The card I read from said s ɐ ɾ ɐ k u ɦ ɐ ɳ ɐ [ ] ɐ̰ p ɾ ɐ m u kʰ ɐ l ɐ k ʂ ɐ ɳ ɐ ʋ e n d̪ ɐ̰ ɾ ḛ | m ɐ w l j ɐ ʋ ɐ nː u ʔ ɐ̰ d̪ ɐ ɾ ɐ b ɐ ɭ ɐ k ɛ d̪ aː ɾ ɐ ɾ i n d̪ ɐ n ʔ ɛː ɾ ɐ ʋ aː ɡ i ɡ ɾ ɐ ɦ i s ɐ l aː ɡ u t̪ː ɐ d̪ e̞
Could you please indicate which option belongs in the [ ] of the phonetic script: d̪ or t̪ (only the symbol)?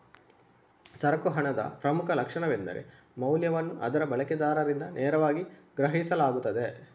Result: d̪